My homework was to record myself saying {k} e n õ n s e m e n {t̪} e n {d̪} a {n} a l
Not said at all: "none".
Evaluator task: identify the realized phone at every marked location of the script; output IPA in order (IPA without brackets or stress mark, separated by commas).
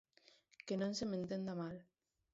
k, t̪, d̪, m